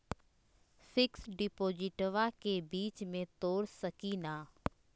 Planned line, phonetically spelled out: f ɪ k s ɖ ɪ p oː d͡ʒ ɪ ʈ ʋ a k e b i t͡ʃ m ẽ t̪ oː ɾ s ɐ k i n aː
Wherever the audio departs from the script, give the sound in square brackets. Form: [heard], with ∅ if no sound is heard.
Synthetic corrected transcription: f ɪ k s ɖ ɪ p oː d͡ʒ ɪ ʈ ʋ a k e b [iː] t͡ʃ m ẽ t̪ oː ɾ s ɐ k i n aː